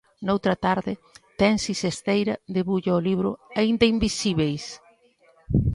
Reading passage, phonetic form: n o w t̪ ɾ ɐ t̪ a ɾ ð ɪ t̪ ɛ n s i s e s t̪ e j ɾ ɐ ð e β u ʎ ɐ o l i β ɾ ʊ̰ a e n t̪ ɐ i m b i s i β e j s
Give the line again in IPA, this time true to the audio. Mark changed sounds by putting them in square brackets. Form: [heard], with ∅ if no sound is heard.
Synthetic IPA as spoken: n o w t̪ ɾ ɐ t̪ a ɾ ð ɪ t̪ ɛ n s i s e s t̪ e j ɾ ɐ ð e β u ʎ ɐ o l i β ɾ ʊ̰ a [i] n [d̪] ɐ i m b i s i β e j s